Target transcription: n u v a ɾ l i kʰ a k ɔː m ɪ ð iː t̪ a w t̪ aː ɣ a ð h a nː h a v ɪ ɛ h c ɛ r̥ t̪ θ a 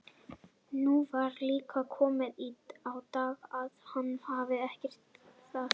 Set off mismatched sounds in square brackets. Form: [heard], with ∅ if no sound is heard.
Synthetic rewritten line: n u v a ɾ l [iː] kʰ a [kʰ] ɔː m ɪ ð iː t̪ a w t̪ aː ɣ a ð h a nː h a v ɪ ɛ h c ɛ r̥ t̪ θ a